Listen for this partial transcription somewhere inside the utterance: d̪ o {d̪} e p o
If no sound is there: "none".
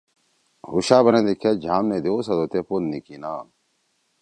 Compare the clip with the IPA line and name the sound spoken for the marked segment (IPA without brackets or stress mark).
t̪